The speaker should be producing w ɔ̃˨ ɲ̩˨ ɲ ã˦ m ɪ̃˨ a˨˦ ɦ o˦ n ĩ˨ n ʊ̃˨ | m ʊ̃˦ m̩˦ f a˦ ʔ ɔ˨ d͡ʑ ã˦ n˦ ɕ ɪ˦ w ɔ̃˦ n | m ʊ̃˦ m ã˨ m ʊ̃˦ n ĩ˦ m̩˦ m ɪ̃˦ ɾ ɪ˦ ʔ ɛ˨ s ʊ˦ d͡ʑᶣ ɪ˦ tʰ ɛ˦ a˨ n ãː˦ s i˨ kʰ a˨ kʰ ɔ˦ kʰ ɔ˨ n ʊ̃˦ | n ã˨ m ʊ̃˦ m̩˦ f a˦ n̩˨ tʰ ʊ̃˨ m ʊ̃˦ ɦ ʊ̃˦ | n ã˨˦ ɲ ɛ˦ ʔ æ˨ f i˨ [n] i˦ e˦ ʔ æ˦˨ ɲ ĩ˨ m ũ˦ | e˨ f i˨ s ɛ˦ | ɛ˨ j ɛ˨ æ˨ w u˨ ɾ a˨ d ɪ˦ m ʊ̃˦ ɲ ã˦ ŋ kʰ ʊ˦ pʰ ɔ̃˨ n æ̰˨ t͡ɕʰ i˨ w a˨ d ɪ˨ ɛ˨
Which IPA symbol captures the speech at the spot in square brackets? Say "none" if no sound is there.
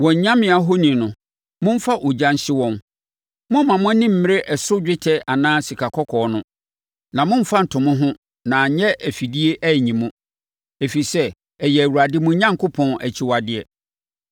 d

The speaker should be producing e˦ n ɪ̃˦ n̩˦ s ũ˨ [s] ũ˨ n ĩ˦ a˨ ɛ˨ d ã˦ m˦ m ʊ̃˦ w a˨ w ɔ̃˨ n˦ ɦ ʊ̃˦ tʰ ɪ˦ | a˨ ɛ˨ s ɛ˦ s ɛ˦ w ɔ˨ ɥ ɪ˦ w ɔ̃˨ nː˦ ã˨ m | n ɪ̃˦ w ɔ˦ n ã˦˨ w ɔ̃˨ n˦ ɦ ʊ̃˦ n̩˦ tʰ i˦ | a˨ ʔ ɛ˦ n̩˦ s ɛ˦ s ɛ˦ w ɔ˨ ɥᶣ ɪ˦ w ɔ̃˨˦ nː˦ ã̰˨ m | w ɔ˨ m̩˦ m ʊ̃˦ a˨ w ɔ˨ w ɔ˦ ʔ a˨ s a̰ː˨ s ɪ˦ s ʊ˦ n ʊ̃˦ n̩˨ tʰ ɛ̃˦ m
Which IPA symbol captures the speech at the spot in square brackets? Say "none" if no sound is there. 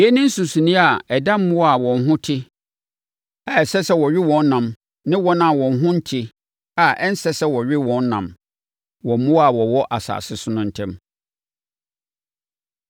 s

